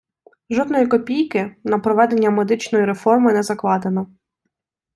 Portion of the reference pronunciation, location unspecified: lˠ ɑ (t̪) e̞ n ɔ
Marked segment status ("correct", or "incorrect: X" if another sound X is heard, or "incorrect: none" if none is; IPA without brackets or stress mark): incorrect: d̪